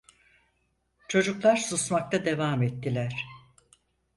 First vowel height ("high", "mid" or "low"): mid